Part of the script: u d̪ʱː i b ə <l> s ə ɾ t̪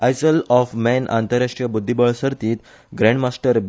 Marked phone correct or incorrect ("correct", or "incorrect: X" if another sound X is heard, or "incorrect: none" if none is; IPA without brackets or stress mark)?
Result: incorrect: ɭ